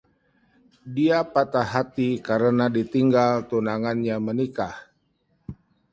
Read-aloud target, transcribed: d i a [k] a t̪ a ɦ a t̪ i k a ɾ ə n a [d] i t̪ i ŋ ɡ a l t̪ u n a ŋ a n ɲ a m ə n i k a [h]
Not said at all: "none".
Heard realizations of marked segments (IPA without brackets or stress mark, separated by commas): p, d, h